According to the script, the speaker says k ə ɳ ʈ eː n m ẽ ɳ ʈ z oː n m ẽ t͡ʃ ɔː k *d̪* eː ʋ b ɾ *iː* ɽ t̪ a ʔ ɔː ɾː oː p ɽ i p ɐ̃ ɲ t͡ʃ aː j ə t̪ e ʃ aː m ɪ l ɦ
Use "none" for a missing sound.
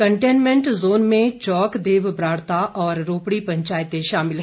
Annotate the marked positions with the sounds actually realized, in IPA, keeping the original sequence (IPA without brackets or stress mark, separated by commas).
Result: d̪, aː